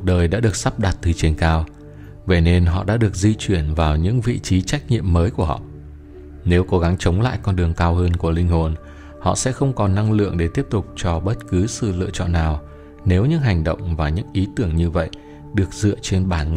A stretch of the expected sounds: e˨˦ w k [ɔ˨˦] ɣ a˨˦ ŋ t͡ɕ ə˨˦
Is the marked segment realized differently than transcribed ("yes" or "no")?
yes